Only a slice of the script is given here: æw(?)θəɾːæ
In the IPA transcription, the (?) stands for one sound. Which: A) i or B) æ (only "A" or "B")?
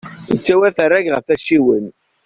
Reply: B